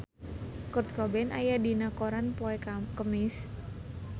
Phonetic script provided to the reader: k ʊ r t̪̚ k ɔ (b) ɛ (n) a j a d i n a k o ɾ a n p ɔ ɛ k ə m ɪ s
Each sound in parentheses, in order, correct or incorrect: correct, correct

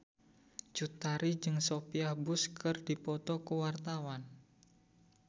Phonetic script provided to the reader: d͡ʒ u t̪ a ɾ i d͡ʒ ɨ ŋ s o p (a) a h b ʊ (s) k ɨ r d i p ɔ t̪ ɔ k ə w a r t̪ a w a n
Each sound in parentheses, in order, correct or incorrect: incorrect: i, correct

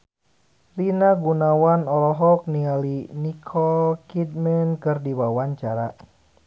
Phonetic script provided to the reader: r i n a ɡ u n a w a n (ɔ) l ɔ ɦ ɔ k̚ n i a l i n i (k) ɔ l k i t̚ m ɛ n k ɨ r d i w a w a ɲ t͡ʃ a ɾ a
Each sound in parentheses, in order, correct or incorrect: correct, incorrect: kʰ

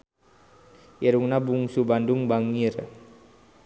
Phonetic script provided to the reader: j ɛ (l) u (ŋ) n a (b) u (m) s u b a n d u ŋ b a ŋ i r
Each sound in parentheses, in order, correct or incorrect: incorrect: ɾ, correct, correct, incorrect: ŋ

